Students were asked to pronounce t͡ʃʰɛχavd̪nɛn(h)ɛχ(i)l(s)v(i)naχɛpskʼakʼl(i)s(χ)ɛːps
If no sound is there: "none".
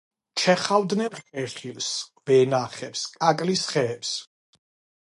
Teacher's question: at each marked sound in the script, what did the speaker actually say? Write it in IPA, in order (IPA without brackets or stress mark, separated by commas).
χ, i, s, ɛ, i, χ